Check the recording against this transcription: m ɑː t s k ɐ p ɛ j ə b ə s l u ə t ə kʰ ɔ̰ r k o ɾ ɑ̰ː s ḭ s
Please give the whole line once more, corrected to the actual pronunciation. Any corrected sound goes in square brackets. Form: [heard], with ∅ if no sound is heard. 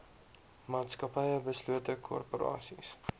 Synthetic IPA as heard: m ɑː t s k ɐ p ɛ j ə b ə s l u ə t ə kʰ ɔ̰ r [p] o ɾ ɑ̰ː s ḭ s